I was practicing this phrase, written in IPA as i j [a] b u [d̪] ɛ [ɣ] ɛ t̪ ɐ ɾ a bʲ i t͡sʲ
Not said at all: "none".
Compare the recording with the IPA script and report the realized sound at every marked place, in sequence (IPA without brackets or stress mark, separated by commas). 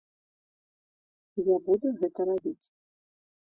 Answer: a, d̪, ɣ